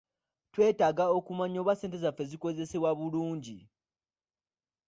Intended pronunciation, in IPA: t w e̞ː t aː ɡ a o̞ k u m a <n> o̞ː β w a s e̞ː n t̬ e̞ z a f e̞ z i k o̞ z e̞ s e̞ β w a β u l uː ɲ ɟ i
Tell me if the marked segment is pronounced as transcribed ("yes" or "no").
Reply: no